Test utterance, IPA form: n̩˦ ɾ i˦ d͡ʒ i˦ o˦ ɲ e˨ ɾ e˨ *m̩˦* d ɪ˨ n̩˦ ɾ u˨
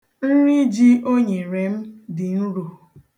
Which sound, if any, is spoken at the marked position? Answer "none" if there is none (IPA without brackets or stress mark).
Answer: m̩˦